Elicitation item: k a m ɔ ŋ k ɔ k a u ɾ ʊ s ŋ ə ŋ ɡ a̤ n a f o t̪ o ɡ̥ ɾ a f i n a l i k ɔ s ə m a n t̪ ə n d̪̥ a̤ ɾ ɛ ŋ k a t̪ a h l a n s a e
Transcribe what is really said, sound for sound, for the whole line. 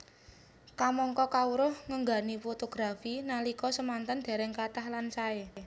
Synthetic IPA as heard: k a m ɔ ŋ k ɔ k a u ɾ ʊ h ŋ ə ŋ ɡ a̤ n i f o t̪ o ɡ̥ ɾ a f i n a l i k ɔ s ə m a n t̪ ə n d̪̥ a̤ ɾ ɛ ŋ k a t̪ a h l a n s a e